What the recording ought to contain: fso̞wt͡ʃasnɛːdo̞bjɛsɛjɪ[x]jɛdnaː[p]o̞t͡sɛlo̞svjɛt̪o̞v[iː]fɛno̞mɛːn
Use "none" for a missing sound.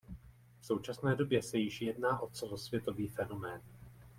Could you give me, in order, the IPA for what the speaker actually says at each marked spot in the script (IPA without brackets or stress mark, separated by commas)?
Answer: ʃ, ʔ, iː